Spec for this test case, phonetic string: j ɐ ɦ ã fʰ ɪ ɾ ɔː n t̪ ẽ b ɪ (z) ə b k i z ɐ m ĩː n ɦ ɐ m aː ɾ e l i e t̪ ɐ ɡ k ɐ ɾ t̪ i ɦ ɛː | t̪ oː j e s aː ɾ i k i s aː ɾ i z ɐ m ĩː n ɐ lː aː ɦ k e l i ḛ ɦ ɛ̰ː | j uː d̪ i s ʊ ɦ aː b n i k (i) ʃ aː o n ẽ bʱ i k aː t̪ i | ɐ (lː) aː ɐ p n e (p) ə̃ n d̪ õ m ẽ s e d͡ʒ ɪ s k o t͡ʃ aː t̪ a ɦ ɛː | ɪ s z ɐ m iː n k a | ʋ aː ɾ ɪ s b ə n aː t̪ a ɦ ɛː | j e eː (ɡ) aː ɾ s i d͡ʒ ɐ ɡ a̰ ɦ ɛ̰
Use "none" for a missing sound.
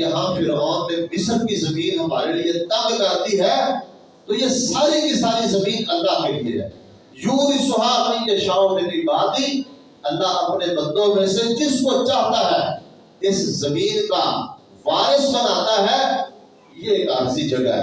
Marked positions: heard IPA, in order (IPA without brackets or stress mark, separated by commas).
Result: s, e, lː, b, k